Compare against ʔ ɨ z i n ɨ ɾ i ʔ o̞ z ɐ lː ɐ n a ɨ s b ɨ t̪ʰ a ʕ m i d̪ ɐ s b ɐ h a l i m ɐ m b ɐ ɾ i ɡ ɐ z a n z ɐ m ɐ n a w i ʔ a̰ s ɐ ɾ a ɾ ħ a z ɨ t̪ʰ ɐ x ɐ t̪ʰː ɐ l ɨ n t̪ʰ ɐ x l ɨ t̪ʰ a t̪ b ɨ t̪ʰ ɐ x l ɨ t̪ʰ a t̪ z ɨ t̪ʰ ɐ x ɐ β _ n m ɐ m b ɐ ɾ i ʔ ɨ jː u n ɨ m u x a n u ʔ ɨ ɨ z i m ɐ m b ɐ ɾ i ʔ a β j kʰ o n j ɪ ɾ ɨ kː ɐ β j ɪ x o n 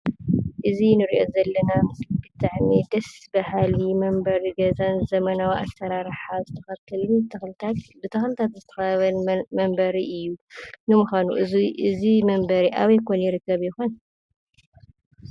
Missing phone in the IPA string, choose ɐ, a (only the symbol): ɐ